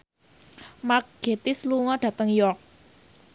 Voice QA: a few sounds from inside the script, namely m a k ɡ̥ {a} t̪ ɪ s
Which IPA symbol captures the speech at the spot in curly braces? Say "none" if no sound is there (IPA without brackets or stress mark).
e